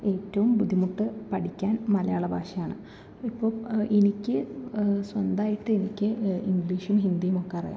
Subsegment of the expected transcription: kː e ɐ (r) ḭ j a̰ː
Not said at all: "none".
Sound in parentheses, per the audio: r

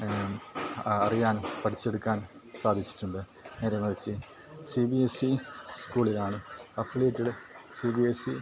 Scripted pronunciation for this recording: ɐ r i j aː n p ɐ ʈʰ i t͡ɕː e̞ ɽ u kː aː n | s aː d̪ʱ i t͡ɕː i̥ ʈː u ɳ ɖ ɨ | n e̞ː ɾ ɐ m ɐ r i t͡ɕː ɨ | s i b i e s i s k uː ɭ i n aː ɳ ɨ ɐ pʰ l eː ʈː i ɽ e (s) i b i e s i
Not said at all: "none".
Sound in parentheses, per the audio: s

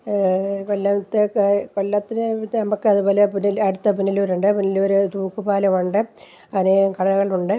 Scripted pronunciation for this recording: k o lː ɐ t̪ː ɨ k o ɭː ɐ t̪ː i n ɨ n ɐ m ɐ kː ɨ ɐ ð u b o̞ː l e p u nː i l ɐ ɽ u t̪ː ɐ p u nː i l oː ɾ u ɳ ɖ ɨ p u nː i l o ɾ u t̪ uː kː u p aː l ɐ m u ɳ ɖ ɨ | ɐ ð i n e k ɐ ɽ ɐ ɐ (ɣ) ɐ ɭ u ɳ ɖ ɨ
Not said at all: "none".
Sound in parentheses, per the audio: ɣ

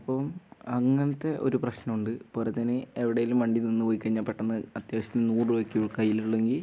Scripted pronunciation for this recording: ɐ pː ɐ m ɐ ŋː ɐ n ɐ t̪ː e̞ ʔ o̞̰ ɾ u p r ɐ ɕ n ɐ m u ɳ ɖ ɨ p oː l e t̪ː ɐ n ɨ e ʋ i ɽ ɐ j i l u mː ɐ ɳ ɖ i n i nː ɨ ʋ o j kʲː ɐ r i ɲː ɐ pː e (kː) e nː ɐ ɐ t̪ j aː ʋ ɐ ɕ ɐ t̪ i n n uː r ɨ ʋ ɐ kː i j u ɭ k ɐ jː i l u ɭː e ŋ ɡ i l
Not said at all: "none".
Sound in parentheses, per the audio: ʈː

